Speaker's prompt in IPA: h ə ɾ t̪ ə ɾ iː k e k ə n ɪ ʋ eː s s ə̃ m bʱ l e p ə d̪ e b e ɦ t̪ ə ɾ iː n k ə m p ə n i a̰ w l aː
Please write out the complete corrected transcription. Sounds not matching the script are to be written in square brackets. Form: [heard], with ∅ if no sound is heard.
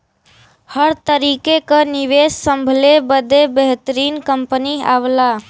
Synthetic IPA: h ə ɾ t̪ ə ɾ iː k e k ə n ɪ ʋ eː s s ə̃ m bʱ l e [b] ə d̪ e b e ɦ t̪ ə ɾ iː n k ə m p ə n i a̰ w l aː